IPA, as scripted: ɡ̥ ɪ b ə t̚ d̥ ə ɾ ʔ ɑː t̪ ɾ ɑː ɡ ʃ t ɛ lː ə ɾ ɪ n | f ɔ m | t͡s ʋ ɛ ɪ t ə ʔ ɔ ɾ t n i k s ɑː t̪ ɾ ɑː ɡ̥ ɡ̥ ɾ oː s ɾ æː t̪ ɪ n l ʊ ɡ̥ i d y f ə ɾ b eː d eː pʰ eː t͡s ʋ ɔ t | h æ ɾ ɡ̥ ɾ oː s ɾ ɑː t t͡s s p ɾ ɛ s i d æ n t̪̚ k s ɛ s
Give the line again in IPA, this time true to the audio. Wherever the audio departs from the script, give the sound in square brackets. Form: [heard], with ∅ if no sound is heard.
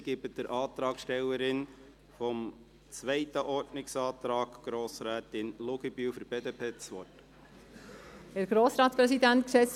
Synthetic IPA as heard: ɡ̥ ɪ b ə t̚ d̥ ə ɾ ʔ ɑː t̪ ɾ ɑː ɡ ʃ t ɛ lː ə ɾ ɪ n | f ɔ m | t͡s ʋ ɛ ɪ t ə ʔ ɔ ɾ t n [ɪ] k s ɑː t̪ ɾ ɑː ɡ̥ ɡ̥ ɾ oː s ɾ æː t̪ ɪ n l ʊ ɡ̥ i [b] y f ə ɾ b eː d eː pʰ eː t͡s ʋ ɔ t | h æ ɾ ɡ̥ ɾ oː s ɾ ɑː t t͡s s p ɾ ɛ s i d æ n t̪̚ k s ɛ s